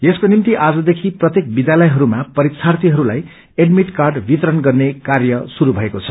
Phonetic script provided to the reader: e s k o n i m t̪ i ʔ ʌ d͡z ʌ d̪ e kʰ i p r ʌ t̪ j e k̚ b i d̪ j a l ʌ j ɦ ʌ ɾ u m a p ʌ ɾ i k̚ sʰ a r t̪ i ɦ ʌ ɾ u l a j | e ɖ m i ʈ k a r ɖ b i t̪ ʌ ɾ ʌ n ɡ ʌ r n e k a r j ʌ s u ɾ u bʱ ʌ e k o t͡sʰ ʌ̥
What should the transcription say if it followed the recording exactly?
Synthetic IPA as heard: e s k o n i m t̪ i ʔ a d͡z ʌ d̪ e kʰ i p r ʌ t̪ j e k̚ b i d̪ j a l ʌ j ɦ ʌ ɾ u m a p ʌ ɾ i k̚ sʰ a r t̪ i ɦ ʌ ɾ u l a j | e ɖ m i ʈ k a r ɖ b i t̪ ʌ ɾ ʌ n ɡ ʌ r n e k a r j ʌ s u ɾ u bʱ ʌ e k o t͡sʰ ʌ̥